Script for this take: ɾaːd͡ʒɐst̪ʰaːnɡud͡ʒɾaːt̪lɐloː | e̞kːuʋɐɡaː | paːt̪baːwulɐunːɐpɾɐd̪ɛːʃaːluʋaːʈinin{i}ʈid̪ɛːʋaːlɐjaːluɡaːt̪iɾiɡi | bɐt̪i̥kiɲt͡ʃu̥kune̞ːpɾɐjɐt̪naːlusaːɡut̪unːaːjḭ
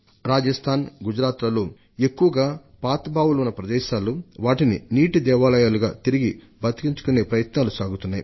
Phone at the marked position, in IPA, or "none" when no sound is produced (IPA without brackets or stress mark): iː